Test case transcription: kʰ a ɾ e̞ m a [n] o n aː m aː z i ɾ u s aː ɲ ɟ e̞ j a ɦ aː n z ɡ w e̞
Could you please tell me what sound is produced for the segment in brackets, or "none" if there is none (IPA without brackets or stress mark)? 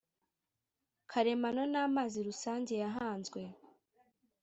n